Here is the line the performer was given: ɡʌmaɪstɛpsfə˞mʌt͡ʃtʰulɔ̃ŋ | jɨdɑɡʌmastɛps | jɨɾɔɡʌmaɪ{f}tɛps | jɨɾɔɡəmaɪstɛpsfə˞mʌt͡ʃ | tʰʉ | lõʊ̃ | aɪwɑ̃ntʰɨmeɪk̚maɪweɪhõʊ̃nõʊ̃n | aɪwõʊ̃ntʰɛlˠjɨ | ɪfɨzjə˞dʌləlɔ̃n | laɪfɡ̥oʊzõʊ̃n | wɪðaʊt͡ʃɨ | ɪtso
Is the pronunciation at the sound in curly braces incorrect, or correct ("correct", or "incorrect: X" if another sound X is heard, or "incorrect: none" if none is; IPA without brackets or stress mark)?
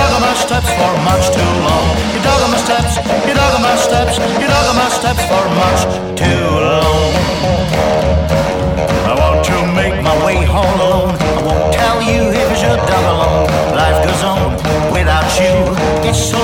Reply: incorrect: s